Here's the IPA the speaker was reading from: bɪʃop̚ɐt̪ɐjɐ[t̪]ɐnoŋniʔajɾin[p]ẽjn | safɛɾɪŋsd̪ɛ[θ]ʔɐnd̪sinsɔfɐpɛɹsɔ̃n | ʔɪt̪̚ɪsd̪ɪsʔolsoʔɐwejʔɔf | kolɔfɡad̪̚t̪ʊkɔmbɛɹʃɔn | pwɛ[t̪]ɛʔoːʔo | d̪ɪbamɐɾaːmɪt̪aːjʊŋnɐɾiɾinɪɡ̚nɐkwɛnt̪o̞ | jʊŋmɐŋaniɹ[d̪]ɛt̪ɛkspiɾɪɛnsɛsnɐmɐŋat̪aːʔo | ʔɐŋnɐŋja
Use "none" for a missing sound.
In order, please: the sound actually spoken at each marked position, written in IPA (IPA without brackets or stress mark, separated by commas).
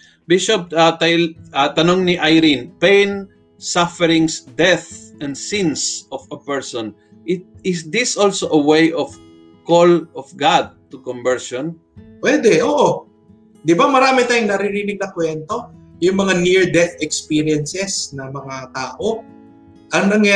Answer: t̪, p, θ, d̪, d̪